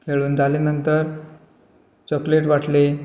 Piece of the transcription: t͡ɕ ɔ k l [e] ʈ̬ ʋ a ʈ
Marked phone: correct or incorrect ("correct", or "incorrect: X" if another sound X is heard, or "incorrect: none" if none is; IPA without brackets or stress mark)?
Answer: correct